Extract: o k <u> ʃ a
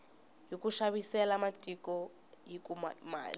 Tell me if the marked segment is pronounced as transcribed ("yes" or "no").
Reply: yes